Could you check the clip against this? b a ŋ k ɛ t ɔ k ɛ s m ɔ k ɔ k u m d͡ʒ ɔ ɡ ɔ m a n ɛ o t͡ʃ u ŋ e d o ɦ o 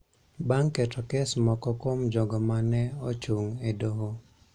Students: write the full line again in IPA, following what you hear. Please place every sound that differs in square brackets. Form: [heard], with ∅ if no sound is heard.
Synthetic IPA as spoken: b a ŋ k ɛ t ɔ k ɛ s m ɔ k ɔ k [o] m d͡ʒ ɔ ɡ ɔ m a n ɛ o t͡ʃ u ŋ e d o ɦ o